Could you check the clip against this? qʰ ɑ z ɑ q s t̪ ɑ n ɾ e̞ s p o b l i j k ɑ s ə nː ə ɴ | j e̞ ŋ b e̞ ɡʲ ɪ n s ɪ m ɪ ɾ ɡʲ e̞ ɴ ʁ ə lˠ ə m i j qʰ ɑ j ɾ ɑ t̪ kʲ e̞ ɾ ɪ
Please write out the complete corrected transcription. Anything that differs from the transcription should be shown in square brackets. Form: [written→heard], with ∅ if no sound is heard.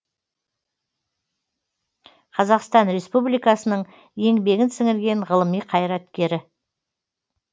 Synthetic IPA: qʰ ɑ z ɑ q s t̪ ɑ n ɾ e̞ s p [o→u] b l i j k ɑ s ə [nː→n] ə ɴ | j e̞ ŋ b e̞ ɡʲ ɪ n s ɪ [m→ŋ] ɪ ɾ ɡʲ e̞ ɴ ʁ ə lˠ ə m i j qʰ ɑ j ɾ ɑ t̪ kʲ e̞ ɾ ɪ